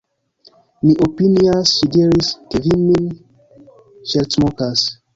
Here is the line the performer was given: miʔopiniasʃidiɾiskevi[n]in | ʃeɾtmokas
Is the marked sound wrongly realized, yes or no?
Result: yes